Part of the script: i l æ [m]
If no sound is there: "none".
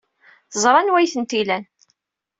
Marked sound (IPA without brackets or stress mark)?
n